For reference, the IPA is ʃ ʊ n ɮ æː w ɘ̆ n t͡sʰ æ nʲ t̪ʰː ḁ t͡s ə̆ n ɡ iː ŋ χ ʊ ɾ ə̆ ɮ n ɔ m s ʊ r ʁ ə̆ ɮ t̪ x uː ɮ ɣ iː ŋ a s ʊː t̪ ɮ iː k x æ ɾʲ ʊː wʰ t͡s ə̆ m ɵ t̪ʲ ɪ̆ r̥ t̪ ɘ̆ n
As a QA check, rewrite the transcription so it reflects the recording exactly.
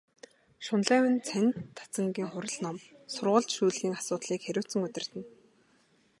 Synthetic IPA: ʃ ʊ n ɮ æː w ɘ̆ n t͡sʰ æ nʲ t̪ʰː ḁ t͡s ə̆ ŋ ɡ iː ŋ χ ʊ ɾ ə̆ ɮ n ɔ m s ʊ r ʁ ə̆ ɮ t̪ ʃ uː ɮ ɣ iː ŋ a s ʊː t̪ ɮ iː k x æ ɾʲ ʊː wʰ t͡s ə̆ ŋ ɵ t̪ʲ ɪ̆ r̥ t̪ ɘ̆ n